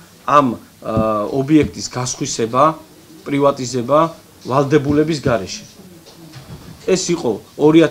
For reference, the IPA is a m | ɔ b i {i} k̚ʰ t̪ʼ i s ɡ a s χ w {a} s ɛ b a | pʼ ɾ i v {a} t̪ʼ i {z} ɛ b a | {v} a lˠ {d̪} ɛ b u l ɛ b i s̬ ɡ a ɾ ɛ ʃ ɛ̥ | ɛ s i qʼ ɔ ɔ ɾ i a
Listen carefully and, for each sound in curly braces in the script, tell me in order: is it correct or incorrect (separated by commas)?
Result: incorrect, incorrect, correct, correct, correct, correct